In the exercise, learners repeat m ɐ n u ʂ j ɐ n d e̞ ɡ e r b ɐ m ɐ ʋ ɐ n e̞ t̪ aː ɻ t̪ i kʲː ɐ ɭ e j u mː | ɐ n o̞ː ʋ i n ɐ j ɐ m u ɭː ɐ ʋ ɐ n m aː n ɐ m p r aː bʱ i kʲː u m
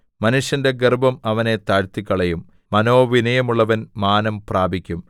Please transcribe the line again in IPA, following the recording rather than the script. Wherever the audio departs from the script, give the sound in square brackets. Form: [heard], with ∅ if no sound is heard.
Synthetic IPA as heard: m ɐ n u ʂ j ɐ n d e̞ ɡ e r b ɐ m ɐ ʋ ɐ n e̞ t̪ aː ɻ t̪ i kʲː ɐ ɭ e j u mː | ɐ n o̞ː ʋ i n ɐ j ɐ m u ɭː ɐ ʋ ɐ n m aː n ɐ m p r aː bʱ i kʲː u m

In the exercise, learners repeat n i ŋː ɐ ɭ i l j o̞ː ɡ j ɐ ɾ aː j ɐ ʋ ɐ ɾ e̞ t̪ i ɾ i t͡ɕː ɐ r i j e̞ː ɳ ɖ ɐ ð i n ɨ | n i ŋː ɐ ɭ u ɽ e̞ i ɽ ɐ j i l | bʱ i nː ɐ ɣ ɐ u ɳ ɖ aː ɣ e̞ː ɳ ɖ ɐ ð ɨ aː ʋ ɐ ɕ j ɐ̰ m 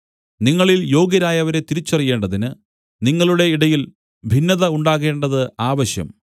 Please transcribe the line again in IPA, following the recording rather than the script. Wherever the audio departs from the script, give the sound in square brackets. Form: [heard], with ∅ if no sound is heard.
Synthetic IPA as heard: n i ŋː ɐ ɭ i l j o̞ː ɡ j ɐ ɾ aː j ɐ ʋ ɐ ɾ e̞ t̪ i ɾ i t͡ɕː ɐ r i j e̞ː ɳ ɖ ɐ ð i n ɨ | n i ŋː ɐ ɭ u ɽ e̞ i ɽ ɐ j i l | bʱ i nː ɐ [ð] ɐ u ɳ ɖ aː ɣ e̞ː ɳ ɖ ɐ ð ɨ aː ʋ ɐ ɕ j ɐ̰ m

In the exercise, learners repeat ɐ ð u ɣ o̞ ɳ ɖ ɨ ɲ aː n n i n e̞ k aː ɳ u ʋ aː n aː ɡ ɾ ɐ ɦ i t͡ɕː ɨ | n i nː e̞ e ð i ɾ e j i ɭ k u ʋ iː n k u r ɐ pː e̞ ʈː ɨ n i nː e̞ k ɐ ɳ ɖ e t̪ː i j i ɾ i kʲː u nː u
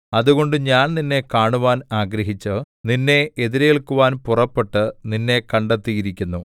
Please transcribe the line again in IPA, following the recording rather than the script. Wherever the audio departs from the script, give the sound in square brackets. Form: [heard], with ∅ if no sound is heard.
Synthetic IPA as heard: ɐ ð u ɣ o̞ ɳ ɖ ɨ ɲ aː n n i [nː] e̞ k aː ɳ u ʋ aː n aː ɡ ɾ ɐ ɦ i t͡ɕː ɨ | n i nː e̞ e ð i ɾ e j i ɭ k u ʋ [aː] n [p] u r ɐ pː e̞ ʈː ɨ n i nː e̞ k ɐ ɳ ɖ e t̪ː i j i ɾ i kʲː u nː u

